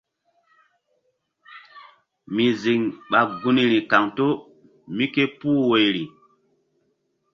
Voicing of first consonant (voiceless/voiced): voiced